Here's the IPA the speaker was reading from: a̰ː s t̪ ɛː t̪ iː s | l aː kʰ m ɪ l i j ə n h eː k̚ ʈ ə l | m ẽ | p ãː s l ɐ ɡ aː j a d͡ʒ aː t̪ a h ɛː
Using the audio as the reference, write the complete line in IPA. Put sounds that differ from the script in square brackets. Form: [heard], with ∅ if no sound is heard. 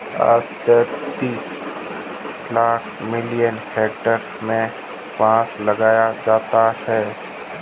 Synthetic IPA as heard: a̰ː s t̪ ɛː t̪ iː s | l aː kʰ m ɪ l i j ə n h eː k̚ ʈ ə [ɾ] | m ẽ | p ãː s l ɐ ɡ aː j a d͡ʒ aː t̪ a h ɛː